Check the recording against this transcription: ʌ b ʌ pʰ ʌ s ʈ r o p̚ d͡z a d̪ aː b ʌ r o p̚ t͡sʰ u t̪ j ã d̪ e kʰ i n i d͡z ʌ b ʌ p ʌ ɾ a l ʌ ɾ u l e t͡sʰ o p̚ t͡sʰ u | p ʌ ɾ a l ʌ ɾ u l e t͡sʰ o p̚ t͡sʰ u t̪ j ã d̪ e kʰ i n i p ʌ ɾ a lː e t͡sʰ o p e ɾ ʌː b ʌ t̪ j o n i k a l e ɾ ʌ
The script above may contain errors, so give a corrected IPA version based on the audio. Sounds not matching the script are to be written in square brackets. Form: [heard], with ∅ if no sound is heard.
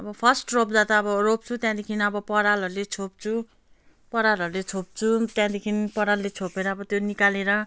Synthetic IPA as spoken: ʌ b ʌ pʰ ʌ s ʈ r o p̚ d͡z a [t̪] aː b ʌ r o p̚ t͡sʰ u t̪ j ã d̪ e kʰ i n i [∅] ʌ b ʌ p ʌ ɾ a l ʌ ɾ u l e t͡sʰ o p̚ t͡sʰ u | p ʌ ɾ a l ʌ ɾ u l e t͡sʰ o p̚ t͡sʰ u t̪ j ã d̪ e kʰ i n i p ʌ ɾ a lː e t͡sʰ o p e ɾ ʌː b ʌ t̪ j o n i k a l e ɾ ʌ